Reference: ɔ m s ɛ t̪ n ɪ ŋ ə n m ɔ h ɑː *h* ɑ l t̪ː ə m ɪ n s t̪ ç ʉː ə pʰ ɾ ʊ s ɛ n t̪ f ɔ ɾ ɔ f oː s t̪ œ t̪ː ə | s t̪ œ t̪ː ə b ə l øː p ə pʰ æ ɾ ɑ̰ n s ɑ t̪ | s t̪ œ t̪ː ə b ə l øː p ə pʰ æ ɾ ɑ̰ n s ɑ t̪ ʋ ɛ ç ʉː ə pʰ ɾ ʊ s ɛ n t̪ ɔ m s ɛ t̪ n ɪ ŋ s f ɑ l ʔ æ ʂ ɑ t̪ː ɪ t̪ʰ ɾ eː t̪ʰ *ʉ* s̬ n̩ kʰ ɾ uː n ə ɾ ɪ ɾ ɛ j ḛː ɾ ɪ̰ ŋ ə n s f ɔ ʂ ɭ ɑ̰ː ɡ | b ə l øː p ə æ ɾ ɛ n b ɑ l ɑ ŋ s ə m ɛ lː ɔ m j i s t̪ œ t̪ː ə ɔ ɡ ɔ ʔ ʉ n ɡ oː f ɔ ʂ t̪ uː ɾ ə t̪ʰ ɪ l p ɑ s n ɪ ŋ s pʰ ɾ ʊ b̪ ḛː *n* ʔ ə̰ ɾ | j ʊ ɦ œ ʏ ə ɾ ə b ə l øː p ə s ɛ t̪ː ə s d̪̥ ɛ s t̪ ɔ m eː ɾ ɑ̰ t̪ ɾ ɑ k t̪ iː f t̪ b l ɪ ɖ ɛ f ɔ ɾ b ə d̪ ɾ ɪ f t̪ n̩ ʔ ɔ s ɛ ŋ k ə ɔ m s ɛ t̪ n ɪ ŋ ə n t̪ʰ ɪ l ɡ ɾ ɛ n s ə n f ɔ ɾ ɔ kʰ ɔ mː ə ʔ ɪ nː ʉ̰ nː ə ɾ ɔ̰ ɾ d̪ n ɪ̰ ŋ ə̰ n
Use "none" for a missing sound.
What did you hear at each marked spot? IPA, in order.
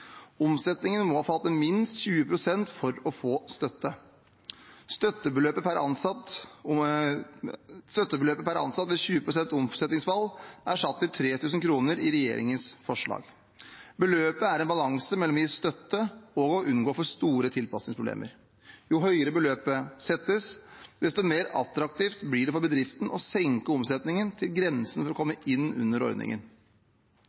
f, ʉː, m

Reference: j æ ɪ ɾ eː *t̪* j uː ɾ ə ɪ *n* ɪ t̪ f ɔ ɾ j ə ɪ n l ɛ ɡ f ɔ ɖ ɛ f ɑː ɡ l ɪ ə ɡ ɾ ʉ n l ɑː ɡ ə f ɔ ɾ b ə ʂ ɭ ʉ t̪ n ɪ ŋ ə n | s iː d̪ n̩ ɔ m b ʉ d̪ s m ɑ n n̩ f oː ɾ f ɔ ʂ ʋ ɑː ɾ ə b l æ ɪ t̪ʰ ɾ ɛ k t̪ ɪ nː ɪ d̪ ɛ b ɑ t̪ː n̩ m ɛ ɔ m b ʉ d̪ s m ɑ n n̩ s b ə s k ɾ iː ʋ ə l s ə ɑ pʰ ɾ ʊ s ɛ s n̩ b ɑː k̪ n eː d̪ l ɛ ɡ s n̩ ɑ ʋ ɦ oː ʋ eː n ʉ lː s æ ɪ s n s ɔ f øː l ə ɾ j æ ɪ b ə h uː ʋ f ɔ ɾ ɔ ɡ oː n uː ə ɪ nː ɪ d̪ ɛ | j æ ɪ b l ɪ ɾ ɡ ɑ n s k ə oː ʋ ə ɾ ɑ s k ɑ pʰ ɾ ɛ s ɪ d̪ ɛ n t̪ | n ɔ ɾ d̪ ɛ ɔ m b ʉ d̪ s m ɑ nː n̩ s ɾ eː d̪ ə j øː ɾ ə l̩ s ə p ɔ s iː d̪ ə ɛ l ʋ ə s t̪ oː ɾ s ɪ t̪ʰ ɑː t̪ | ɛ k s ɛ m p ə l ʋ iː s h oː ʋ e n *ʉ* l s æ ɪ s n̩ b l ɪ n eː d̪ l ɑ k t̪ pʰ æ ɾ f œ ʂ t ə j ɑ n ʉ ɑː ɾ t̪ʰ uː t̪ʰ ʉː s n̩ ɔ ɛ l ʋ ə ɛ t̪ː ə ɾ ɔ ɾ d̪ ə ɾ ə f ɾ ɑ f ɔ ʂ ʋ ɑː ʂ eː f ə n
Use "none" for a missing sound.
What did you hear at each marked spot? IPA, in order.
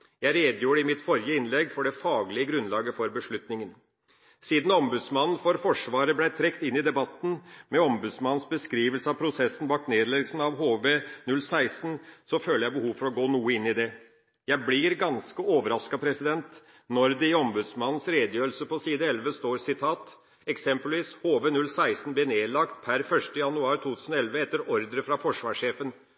d̪, m, ʉ

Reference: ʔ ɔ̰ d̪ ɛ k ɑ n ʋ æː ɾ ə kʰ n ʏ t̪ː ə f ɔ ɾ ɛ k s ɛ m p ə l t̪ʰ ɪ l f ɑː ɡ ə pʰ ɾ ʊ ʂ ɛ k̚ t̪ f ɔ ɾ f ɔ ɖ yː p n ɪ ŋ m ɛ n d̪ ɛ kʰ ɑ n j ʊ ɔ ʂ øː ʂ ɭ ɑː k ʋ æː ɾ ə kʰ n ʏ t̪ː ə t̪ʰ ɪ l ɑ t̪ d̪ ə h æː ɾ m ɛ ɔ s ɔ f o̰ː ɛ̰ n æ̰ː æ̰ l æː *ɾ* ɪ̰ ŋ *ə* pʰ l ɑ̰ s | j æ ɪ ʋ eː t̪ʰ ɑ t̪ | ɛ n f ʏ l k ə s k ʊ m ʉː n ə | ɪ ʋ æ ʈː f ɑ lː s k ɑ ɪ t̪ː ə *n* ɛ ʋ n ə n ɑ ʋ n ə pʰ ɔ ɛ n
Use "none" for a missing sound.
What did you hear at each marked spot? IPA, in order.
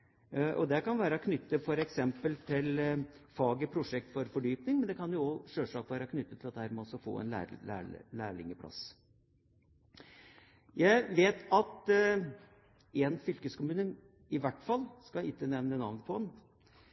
ɭ, ə, n

